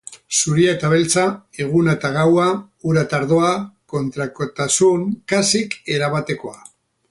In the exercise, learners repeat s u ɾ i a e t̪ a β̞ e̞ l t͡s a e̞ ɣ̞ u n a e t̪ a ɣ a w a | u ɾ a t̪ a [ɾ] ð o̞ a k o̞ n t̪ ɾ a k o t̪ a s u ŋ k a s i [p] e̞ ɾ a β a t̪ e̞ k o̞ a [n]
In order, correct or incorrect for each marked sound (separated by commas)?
correct, incorrect, incorrect